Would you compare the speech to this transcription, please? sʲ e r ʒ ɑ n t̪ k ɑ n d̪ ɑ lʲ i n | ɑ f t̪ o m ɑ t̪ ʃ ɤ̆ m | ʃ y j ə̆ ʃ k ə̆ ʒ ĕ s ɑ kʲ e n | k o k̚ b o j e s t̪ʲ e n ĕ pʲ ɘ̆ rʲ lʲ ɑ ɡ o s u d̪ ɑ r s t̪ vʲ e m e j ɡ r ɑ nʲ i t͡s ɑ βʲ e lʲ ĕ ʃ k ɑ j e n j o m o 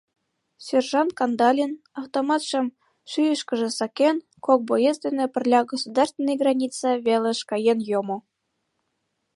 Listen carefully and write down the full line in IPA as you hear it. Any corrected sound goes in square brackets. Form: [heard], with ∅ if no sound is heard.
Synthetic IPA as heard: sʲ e r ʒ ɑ n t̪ k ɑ n d̪ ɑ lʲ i n | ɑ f t̪ o m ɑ t̪ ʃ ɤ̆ m | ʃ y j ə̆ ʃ k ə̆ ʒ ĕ s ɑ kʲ e n | k o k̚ b o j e s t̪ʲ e n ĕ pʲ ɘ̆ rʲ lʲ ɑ ɡ o s u d̪ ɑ r s t̪ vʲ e [n] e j ɡ r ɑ nʲ i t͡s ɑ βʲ e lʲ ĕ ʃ k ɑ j e n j o m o